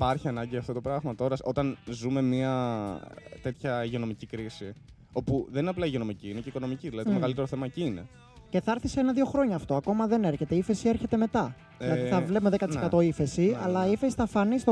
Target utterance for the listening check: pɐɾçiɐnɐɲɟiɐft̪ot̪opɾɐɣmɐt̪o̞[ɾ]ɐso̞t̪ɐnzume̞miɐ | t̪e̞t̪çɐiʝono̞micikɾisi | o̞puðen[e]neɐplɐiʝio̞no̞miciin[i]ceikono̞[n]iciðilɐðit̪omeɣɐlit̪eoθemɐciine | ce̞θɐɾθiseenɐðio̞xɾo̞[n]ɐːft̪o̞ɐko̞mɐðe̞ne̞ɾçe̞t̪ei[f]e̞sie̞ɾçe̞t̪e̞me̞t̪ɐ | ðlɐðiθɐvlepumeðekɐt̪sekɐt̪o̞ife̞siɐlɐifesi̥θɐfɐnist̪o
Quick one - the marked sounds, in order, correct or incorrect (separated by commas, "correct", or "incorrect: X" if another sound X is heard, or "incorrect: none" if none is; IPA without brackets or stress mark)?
correct, incorrect: i, incorrect: e, incorrect: m, incorrect: ɲ, correct